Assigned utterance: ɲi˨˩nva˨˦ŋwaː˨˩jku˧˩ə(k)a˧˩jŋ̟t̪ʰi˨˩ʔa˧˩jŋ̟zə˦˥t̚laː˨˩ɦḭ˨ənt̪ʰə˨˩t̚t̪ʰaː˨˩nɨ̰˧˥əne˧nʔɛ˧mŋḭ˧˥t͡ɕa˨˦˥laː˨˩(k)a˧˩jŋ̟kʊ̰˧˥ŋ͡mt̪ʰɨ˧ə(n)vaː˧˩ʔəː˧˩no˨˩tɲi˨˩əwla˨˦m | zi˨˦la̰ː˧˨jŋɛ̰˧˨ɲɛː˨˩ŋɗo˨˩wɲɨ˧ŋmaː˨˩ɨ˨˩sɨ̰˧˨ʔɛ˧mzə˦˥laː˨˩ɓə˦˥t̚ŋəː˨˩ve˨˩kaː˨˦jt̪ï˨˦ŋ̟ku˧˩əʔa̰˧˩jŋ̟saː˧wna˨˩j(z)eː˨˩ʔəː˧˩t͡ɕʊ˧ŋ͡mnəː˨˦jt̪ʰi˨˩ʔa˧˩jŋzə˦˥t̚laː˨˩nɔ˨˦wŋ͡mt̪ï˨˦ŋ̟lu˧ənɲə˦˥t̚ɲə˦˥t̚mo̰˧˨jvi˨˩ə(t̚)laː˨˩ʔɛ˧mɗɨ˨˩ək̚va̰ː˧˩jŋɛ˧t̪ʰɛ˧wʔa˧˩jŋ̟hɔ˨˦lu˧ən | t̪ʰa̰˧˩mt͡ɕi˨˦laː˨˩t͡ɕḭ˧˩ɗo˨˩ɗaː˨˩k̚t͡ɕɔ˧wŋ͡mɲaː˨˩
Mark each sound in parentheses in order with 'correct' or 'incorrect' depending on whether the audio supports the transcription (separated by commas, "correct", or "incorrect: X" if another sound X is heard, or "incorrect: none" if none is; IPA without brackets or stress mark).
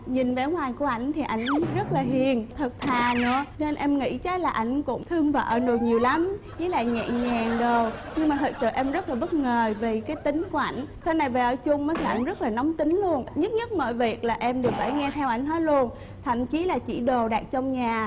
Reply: incorrect: ʔ, incorrect: ʔ, incorrect: ŋ, incorrect: v, incorrect: k̚